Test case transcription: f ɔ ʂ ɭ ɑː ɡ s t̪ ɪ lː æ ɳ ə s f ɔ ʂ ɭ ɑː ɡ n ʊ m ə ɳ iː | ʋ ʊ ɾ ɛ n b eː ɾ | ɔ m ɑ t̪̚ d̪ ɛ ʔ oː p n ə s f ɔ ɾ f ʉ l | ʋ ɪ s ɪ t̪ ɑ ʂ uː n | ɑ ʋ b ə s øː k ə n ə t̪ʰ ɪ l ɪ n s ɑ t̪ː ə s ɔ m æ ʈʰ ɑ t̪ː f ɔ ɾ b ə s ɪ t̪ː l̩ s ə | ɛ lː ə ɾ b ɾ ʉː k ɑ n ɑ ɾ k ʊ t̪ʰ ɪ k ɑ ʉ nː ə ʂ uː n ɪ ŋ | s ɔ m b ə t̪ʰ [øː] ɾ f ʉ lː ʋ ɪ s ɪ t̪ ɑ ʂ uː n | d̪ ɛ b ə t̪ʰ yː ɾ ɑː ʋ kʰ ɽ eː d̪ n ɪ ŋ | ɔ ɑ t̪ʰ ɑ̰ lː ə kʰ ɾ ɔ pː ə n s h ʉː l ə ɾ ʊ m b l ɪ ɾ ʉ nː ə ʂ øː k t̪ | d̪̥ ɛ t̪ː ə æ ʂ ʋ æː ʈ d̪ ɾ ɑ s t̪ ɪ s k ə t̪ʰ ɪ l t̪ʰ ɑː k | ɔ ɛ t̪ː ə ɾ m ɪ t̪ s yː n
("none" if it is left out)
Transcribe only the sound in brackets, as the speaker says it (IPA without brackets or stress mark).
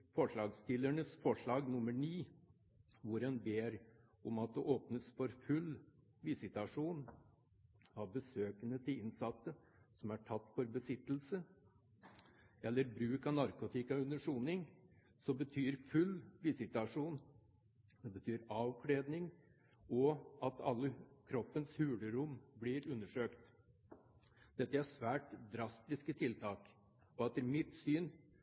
yː